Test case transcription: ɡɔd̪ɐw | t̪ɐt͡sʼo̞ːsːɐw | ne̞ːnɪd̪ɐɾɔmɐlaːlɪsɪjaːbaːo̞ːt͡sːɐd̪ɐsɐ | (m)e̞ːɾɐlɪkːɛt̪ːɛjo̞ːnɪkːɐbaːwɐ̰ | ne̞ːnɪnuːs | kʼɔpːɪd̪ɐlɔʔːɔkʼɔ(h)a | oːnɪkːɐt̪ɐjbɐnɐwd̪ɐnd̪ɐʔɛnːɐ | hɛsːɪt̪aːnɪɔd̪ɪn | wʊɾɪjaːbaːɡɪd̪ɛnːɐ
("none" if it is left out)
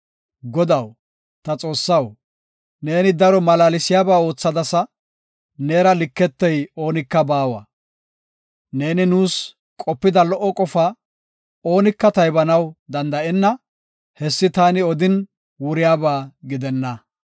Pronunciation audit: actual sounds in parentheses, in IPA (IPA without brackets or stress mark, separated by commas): n, f